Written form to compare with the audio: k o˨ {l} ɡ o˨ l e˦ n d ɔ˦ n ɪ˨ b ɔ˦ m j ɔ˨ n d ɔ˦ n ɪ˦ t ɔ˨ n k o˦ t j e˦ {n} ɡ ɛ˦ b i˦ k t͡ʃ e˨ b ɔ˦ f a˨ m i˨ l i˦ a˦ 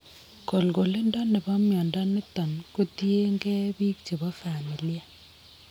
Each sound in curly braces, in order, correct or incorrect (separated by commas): correct, incorrect